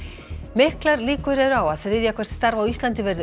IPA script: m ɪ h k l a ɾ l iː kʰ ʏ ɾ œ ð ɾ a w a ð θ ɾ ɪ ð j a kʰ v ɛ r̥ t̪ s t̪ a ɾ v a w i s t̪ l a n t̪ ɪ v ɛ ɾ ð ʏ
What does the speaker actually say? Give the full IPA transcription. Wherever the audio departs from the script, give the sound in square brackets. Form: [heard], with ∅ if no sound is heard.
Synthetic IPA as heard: m ɪ h k l a ɾ l iː [k] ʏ ɾ [ɛ] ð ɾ a w a ð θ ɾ ɪ ð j a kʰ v ɛ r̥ t̪ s t̪ a ɾ v a w i s t̪ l a n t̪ ɪ v ɛ ɾ ð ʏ